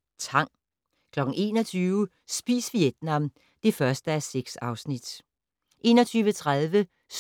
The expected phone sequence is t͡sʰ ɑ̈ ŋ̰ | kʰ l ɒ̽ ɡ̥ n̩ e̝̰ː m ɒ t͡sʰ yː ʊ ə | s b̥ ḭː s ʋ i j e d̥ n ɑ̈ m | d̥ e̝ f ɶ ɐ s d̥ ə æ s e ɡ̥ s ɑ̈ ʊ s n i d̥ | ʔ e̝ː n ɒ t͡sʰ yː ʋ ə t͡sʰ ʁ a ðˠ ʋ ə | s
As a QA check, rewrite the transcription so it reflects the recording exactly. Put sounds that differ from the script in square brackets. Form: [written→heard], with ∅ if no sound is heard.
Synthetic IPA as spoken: t͡sʰ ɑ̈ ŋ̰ | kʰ l ɒ̽ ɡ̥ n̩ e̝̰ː [m→n] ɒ t͡sʰ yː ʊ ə | s b̥ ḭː s ʋ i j e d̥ n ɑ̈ m | d̥ e̝ f ɶ ɐ s d̥ ə æ s e ɡ̥ s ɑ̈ ʊ s n i d̥ | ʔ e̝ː n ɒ t͡sʰ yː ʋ ə t͡sʰ ʁ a ðˠ ʋ ə | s